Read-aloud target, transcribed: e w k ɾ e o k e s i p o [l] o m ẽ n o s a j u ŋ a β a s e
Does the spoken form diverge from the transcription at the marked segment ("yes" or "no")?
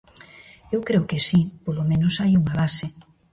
no